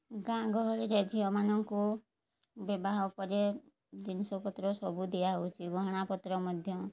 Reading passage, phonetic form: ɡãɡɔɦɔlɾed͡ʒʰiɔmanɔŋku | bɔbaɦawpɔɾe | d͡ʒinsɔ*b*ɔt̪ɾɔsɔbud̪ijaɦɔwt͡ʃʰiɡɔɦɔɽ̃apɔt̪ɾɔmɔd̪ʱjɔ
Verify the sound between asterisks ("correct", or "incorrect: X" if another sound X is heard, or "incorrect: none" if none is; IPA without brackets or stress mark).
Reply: incorrect: p